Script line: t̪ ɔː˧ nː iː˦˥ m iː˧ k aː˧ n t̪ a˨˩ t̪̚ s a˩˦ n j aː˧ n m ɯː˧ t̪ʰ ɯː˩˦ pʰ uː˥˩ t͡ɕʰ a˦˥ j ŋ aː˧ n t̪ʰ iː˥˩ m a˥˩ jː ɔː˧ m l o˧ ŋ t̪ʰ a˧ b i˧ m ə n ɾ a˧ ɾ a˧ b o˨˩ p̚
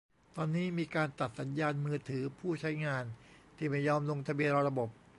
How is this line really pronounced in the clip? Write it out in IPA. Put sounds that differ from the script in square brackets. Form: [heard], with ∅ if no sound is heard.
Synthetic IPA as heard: t̪ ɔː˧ nː iː˦˥ m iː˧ k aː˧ n t̪ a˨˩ t̪̚ s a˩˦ n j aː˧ n m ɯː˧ t̪ʰ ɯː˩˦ pʰ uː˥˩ t͡ɕʰ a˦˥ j ŋ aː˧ n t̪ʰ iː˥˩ m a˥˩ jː ɔː˧ m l o˧ ŋ t̪ʰ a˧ b i˧ [∅] ə n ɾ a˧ ɾ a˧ b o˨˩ p̚